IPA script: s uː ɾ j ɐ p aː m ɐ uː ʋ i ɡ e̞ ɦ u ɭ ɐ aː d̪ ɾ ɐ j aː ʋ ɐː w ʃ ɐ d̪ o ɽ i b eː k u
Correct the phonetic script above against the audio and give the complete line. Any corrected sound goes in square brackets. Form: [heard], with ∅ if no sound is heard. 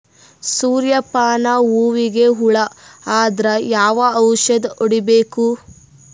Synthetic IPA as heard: s uː ɾ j ɐ p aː [n] ɐ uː ʋ i ɡ e̞ ɦ u ɭ ɐ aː d̪ ɾ ɐ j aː ʋ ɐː w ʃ ɐ d̪ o ɽ i b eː k u